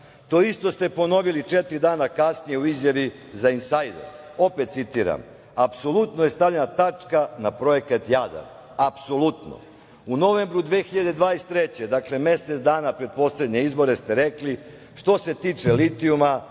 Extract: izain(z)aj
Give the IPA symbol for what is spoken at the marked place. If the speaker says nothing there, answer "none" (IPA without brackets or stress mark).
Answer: s